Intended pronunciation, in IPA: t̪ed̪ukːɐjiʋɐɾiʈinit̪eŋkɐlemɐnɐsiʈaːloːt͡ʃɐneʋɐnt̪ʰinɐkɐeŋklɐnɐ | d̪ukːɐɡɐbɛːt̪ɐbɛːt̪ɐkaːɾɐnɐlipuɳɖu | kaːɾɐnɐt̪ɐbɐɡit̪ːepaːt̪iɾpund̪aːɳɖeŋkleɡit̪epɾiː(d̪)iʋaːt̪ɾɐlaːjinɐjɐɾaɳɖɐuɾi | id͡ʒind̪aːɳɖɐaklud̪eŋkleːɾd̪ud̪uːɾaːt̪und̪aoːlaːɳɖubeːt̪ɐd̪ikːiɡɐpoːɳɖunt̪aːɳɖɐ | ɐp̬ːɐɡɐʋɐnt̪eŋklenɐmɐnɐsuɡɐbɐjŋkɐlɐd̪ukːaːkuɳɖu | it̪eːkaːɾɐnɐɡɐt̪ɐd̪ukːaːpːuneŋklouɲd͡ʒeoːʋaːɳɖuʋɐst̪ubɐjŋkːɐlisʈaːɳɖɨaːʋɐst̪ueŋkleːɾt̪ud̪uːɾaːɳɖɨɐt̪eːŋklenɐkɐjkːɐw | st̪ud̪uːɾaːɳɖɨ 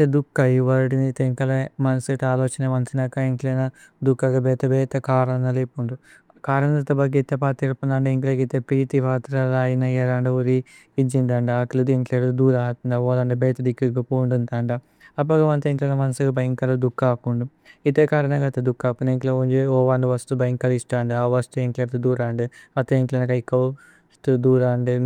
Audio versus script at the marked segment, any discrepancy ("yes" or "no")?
yes